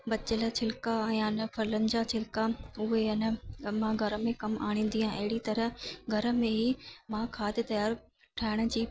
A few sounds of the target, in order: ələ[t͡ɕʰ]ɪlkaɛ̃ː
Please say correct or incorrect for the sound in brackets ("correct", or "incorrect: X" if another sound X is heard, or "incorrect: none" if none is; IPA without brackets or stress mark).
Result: correct